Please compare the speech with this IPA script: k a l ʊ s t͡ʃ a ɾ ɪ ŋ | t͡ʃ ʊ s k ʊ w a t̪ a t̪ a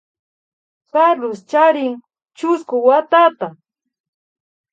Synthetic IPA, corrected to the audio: k a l ʊ s t͡ʃ a ɾ ɪ ŋ | t͡ʃ ʊ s k ʊ w a t̪ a t̪ a